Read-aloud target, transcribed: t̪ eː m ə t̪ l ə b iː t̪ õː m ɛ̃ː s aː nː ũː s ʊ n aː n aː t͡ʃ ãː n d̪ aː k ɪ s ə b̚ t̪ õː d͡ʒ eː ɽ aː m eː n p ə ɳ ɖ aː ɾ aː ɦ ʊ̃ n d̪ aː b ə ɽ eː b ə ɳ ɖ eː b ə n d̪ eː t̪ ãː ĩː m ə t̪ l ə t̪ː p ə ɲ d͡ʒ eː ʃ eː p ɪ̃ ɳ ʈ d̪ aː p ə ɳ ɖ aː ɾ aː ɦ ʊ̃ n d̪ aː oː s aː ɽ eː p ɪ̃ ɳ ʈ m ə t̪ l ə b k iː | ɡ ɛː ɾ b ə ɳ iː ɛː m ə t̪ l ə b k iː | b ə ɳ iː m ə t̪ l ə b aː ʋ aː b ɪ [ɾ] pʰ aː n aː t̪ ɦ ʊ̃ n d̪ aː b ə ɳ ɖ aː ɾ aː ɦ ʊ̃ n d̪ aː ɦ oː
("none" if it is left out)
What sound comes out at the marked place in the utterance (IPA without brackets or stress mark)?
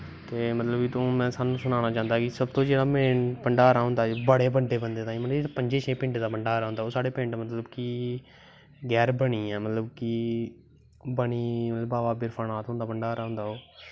ɾ